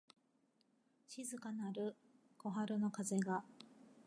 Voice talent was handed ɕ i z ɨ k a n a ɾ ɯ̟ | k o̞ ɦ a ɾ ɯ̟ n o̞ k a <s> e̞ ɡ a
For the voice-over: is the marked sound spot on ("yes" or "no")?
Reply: no